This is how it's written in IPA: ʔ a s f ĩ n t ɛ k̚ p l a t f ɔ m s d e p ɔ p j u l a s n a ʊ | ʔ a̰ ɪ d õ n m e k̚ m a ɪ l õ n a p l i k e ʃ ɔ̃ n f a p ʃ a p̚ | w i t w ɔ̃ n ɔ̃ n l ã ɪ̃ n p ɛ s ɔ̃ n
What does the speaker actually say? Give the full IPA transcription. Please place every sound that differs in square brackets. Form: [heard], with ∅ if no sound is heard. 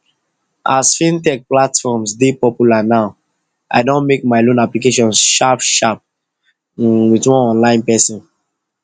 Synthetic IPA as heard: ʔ a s f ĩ n t ɛ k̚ p l a t f ɔ m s d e p ɔ p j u l a [∅] n a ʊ | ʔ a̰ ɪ d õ n m e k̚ m a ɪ l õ n a p l i k e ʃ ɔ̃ n [ʃ] a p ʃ a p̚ | w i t w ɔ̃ n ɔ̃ n l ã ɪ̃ n p ɛ s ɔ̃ n